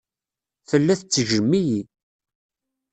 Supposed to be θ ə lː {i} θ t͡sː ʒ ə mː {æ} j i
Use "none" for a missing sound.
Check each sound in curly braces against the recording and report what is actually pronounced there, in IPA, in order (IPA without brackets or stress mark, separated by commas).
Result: æ, i